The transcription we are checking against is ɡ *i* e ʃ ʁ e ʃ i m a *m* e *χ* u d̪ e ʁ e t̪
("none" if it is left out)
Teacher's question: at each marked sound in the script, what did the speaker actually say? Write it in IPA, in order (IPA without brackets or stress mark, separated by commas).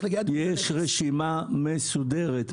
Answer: j, m, s